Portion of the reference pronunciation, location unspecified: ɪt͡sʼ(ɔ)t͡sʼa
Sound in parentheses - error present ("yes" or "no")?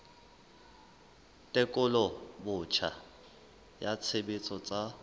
no